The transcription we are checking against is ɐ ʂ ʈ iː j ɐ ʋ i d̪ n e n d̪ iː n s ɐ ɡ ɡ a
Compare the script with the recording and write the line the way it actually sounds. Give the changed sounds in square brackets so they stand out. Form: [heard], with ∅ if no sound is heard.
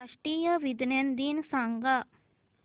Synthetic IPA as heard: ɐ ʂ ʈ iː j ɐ ʋ i d̪ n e n d̪ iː n s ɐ [ŋ] ɡ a